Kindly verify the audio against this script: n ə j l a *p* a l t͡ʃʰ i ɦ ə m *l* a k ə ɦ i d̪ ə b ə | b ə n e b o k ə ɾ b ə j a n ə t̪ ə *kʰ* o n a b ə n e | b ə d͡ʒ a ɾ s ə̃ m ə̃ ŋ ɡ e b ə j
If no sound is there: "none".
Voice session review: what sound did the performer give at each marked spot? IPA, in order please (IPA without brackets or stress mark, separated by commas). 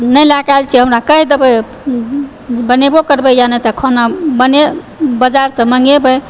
k, ɾ, kʰ